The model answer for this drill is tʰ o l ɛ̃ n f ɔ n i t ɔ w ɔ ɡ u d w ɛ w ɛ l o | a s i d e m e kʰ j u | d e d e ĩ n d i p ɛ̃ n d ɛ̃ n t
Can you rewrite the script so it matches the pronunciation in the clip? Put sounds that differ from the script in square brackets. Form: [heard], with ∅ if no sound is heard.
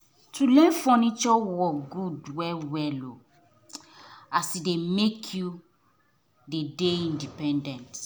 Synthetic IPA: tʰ [u] l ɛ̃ n f ɔ n i [t͡ʃ] ɔ w ɔ ɡ u d w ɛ w ɛ l o | a s i d e m e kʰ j u | d e d e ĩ n d i p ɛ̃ n d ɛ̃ n t